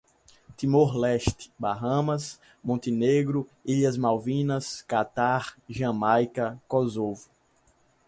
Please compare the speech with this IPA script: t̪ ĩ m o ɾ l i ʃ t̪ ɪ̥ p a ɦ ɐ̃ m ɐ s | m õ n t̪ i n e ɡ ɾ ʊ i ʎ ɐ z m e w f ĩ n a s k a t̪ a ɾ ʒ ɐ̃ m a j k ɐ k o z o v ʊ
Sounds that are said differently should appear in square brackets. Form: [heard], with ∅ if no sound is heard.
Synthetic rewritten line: t̪ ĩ m o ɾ l [ɛ] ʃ t̪ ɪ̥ [b] a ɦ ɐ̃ m ɐ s | m õ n t̪ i n e ɡ ɾ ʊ i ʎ ɐ z m [a] w [v] ĩ n [ɐ] s k a t̪ a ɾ ʒ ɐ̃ m a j k ɐ k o z o v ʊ